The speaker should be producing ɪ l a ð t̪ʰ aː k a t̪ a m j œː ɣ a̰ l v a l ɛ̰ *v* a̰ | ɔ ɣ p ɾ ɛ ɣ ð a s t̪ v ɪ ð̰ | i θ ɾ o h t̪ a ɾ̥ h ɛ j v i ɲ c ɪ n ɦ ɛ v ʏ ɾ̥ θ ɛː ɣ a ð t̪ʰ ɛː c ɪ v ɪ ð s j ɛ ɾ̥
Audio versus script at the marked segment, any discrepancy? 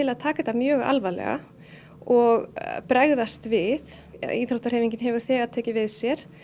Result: yes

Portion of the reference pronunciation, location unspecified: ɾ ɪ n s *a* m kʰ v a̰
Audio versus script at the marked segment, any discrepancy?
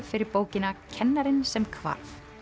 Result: yes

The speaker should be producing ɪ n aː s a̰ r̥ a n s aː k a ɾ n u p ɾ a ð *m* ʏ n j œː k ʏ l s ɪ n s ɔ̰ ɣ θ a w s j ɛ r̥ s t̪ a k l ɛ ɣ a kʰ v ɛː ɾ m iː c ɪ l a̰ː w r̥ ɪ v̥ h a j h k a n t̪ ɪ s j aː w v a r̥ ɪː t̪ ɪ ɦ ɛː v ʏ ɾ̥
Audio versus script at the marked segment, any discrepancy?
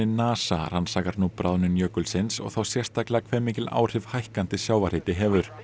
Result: yes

